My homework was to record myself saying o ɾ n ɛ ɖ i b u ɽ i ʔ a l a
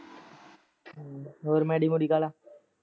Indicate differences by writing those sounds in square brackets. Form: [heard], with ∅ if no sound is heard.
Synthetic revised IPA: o ɾ [m] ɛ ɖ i [m] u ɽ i [k] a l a